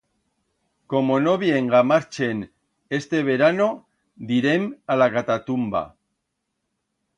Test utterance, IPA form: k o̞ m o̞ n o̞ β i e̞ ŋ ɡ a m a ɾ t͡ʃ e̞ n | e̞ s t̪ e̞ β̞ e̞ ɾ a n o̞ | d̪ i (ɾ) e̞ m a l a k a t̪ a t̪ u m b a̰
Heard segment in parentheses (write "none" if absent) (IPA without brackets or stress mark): ɾ